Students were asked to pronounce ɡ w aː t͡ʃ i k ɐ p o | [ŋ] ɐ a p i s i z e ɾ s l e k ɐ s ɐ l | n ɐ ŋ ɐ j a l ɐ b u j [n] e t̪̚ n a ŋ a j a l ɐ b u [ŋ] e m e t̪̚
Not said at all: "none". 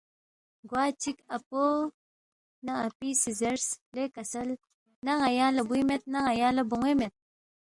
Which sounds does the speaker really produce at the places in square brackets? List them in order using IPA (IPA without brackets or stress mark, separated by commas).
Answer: n, m, ŋ